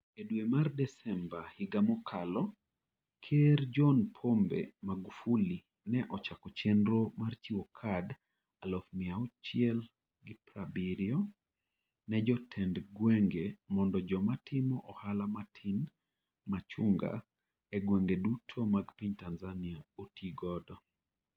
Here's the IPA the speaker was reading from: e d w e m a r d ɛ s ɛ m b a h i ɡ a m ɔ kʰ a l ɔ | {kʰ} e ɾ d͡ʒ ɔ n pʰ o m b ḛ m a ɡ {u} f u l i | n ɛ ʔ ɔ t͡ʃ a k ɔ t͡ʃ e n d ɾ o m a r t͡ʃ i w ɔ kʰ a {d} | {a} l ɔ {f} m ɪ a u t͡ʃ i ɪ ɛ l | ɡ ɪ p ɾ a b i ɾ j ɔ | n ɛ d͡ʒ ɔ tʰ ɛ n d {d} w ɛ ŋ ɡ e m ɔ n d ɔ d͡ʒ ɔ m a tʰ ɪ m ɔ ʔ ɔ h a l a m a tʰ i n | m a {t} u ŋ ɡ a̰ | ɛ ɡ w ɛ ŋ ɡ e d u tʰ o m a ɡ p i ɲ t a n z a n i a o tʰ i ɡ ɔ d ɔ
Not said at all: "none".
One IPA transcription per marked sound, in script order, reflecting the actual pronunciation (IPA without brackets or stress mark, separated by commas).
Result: kʰ, u, d, a, f, ɡ, t͡ʃ